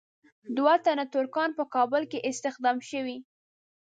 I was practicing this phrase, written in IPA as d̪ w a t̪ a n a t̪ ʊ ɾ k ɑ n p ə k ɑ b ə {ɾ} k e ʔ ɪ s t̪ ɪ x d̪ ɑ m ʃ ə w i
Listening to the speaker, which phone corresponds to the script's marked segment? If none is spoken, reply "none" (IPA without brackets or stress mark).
l